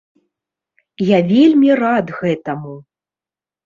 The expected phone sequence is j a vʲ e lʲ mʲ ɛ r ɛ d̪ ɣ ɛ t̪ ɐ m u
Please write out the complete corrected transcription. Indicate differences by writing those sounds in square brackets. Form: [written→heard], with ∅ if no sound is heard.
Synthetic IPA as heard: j a vʲ e lʲ mʲ [ɛ→i] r [ɛ→a] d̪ ɣ ɛ t̪ ɐ m u